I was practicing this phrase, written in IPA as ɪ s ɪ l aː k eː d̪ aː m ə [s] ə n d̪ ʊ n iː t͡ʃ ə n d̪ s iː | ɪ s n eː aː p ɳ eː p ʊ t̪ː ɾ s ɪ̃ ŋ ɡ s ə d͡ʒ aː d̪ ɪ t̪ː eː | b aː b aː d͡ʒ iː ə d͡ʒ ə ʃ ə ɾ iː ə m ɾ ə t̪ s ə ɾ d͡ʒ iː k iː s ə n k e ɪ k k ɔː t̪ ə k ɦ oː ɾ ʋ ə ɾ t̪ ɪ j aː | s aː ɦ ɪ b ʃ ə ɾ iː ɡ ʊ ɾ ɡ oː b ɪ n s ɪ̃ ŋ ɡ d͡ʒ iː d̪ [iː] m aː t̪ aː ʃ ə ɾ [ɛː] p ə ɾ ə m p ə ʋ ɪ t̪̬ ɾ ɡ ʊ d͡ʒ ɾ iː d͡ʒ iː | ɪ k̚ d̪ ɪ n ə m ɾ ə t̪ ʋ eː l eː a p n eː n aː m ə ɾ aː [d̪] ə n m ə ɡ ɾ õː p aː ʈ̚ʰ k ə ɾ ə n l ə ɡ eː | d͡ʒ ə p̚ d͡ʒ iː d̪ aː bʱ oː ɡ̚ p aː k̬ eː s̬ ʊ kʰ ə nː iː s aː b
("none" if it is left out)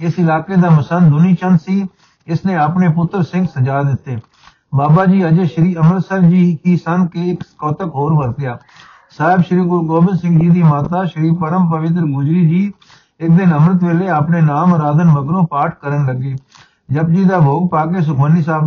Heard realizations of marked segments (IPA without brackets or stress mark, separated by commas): s, iː, iː, d̪